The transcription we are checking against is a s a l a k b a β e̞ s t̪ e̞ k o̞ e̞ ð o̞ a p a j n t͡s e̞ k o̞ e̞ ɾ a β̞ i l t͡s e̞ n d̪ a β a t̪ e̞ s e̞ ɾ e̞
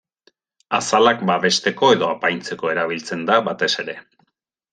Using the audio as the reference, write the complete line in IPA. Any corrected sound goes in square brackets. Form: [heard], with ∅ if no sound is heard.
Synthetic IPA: a s a l a k b a β e̞ s t̪ e̞ k o̞ e̞ ð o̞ a p a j n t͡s e̞ k o̞ e̞ ɾ a β̞ i l t͡s e̞ n d̪ a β a t̪ e̞ s e̞ ɾ e̞

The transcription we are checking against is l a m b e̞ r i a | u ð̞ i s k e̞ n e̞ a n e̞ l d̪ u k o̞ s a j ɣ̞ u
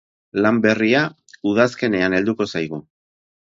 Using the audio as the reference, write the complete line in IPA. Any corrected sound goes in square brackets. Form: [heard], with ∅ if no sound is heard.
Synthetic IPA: l a m b e̞ r i a | u ð̞ [a] s k e̞ n e̞ a n e̞ l d̪ u k o̞ s a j ɣ̞ u

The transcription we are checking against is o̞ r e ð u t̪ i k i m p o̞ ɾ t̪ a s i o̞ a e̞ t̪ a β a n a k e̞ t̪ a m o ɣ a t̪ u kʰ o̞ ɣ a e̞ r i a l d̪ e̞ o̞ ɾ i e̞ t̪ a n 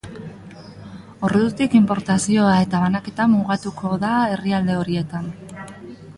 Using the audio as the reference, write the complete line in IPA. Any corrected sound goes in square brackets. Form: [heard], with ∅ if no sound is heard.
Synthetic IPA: o̞ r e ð u t̪ i k i m p o̞ ɾ t̪ a s i o̞ a e̞ t̪ a β a n a k e̞ t̪ a m [u] ɣ a t̪ u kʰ o̞ [ð] a e̞ r i a l d̪ e̞ o̞ ɾ i e̞ t̪ a n

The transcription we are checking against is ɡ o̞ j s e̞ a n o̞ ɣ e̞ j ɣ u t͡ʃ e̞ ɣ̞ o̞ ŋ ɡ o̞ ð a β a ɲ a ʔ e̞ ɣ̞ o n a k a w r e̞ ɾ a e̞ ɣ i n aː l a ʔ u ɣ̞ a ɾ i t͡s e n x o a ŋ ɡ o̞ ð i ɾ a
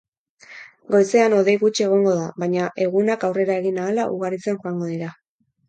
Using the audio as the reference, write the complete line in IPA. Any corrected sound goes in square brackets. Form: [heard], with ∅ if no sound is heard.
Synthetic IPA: ɡ o̞ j s e̞ a n o̞ [ð] e̞ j ɣ u t͡ʃ e̞ ɣ̞ o̞ ŋ ɡ o̞ ð a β a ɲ a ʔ e̞ ɣ̞ [u] n a k a w r e̞ ɾ a e̞ ɣ i n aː l a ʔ u ɣ̞ a ɾ i t͡s e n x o a ŋ ɡ o̞ ð i ɾ a

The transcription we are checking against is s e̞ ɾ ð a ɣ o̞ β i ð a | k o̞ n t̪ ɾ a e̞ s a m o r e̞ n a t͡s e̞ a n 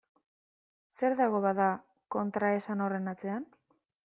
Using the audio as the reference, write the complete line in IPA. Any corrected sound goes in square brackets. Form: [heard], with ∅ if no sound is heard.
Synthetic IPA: s e̞ ɾ ð a ɣ o̞ β [a] ð a | k o̞ n t̪ ɾ a e̞ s a [n] o r e̞ n a t͡s e̞ a n

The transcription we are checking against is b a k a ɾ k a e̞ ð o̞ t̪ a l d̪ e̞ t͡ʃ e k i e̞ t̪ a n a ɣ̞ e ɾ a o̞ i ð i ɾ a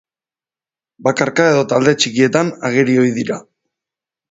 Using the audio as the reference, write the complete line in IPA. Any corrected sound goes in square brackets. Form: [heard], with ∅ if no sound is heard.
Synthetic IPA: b a k a ɾ k a e̞ ð o̞ t̪ a l d̪ e̞ t͡ʃ [i] k i e̞ t̪ a n a ɣ̞ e ɾ [i] o̞ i ð i ɾ a

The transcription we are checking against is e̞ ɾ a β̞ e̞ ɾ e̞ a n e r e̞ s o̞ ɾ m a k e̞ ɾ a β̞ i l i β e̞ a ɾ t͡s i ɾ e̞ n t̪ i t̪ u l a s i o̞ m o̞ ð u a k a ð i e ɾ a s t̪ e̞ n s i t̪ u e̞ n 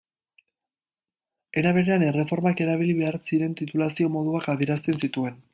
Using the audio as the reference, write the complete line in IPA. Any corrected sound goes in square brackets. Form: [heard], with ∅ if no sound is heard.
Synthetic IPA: e̞ ɾ a β̞ e̞ ɾ e̞ a n e r e̞ [f] o̞ ɾ m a k e̞ ɾ a β̞ i l i β e̞ a ɾ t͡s i ɾ e̞ n t̪ i t̪ u l a s i o̞ m o̞ ð u a k a ð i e ɾ a s t̪ e̞ n s i t̪ u e̞ n

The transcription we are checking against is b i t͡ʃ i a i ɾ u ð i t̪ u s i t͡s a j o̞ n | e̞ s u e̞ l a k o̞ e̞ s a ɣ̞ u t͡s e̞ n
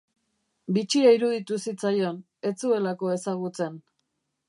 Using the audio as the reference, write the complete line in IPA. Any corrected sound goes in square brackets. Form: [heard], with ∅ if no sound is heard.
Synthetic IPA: b i t͡ʃ i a i ɾ u ð i t̪ u s i t͡s a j o̞ n | e̞ [t͡s] u e̞ l a k o̞ e̞ s a ɣ̞ u t͡s e̞ n

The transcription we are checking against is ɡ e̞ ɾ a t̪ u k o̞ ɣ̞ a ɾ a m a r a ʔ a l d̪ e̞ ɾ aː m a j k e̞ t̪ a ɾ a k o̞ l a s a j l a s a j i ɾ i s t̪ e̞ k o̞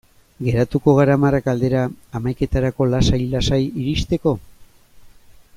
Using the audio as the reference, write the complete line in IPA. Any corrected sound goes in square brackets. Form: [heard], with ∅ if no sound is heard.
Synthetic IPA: ɡ e̞ ɾ a t̪ u k o̞ ɣ̞ a ɾ a m a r a [k] a l d̪ e̞ ɾ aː m a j k e̞ t̪ a ɾ a k o̞ l a s a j l a s a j i ɾ i s t̪ e̞ k o̞

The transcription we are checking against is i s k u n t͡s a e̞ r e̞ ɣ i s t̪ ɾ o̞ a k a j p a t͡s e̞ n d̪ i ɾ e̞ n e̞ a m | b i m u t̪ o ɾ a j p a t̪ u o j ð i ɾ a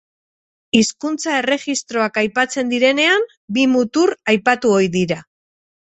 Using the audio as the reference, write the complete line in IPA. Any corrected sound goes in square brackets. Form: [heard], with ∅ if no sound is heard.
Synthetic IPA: i s k u n t͡s a e̞ r e̞ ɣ i s t̪ ɾ o̞ a k a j p a t͡s e̞ n d̪ i ɾ e̞ n e̞ a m | b i m u t̪ [u] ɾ a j p a t̪ u o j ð i ɾ a

